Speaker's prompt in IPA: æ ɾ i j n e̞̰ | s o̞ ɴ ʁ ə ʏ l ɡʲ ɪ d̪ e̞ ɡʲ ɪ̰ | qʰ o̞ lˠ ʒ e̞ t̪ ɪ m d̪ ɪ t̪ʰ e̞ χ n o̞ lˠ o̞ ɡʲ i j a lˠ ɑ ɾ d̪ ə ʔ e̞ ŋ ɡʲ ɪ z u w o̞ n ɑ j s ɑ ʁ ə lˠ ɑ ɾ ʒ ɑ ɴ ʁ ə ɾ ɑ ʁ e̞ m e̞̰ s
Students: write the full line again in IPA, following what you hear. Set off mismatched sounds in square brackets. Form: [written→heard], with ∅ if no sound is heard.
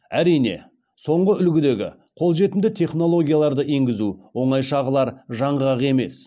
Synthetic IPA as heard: æ ɾ i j n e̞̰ | s o̞ ɴ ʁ ə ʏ l ɡʲ ɪ d̪ e̞ ɡʲ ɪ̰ | qʰ o̞ lˠ ʒ e̞ t̪ ɪ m d̪ ɪ t̪ʰ e̞ χ n o̞ lˠ o̞ ɡʲ i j a lˠ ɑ ɾ d̪ ə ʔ e̞ ŋ ɡʲ ɪ z u w o̞ [n→ɴ] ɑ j [s→ʃ] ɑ ʁ ə lˠ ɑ ɾ ʒ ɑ ɴ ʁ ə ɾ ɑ ʁ e̞ m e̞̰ s